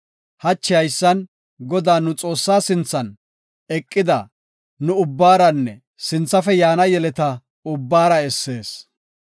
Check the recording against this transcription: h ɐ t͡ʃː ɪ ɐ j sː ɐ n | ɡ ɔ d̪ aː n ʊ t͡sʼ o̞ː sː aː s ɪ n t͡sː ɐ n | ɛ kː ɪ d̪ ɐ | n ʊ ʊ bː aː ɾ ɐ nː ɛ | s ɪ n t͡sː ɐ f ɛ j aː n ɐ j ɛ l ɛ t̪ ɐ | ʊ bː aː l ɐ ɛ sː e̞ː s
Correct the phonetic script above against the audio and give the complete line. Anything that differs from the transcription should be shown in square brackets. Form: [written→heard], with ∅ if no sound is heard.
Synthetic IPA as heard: h ɐ t͡ʃː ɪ ɐ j sː ɐ n | ɡ ɔ d̪ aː n ʊ t͡sʼ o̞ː sː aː s ɪ n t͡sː ɐ n | ɛ [kː→kʼː] ɪ d̪ ɐ | n ʊ ʊ bː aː ɾ ɐ nː ɛ | s ɪ n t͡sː ɐ f ɛ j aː n ɐ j ɛ l ɛ t̪ ɐ | ʊ bː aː [l→ɾ] ɐ ɛ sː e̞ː s